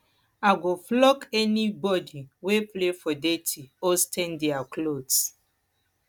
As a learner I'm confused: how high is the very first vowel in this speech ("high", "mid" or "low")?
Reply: low